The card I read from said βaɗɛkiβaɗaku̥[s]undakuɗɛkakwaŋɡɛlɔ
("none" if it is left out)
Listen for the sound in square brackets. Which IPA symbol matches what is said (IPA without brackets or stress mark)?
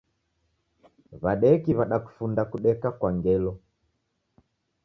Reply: f